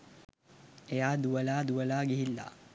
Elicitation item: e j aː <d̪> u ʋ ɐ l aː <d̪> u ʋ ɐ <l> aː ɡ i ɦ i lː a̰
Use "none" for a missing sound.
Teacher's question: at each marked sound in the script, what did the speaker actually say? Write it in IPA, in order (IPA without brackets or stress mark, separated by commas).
d̪, d̪, l